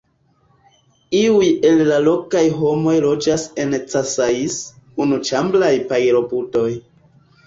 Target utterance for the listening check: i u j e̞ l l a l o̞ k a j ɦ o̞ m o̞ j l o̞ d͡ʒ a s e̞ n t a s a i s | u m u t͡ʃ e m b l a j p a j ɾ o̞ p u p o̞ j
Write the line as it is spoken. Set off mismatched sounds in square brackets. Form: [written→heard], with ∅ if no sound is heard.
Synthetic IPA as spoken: i u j e̞ l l a l o̞ k a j ɦ o̞ m o̞ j l o̞ d͡ʒ a s e̞ n [t→t͡s] a s a i s | u [m→n] u t͡ʃ [e→a] m b l a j p a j ɾ o̞ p u [p→t] o̞ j